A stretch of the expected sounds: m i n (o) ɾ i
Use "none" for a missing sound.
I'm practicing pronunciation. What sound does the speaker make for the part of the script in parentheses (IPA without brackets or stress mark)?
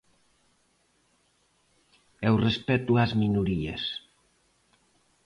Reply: u